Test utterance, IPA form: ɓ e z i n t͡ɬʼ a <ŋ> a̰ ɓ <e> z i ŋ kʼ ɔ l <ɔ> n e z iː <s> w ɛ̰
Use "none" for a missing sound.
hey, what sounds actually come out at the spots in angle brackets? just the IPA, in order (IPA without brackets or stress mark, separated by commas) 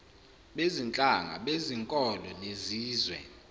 ŋ, e, ɔ, z